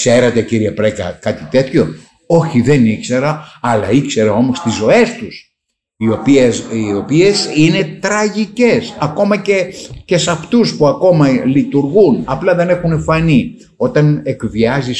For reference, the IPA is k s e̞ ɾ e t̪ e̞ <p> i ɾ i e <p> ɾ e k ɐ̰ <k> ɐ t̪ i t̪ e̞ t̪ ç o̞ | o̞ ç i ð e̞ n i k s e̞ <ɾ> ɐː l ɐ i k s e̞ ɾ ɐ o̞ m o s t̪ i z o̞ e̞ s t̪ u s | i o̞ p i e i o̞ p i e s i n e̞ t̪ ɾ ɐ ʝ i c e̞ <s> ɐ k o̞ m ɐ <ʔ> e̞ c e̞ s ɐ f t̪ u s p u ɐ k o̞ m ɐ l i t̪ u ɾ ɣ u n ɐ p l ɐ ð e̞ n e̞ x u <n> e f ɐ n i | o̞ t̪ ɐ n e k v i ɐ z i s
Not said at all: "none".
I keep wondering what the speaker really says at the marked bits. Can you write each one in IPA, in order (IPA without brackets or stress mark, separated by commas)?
c, p, k, ɾ, s, c, n